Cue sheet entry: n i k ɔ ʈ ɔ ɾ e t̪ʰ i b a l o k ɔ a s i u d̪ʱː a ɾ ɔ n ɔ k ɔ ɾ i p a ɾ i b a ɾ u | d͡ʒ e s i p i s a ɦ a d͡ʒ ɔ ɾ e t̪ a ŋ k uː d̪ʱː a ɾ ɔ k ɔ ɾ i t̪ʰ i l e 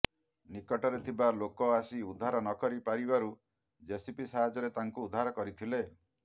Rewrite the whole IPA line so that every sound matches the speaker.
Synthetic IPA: n i k ɔ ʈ ɔ ɾ e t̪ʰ i b a l o k ɔ a s i u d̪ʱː a ɾ ɔ n ɔ k ɔ ɾ i p a ɾ i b a ɾ u | d͡ʒ e s i p i s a ɦ a d͡ʒ ɔ ɾ e t̪ a ŋ k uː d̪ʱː a ɾ ɔ k ɔ ɾ i t̪ʰ i l e